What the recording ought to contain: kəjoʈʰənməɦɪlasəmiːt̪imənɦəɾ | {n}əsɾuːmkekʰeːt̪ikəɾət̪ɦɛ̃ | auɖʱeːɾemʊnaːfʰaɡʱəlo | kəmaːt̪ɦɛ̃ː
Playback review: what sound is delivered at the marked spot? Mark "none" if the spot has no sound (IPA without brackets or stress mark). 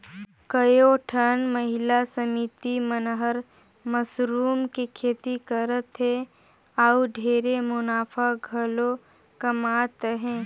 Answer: m